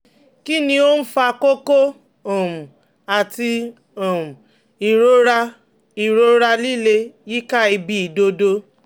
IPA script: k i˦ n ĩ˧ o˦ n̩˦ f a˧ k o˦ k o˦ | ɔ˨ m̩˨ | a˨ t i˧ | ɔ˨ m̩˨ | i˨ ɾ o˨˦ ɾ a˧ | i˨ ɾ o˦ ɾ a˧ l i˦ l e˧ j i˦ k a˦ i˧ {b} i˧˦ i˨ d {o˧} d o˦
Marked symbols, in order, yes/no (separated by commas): yes, yes